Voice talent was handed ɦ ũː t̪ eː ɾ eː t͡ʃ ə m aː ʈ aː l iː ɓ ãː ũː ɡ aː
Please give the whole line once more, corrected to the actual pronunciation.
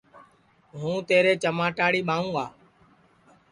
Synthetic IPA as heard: ɦ ũː t̪ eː ɾ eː t͡ʃ ə m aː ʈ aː ɽ iː ɓ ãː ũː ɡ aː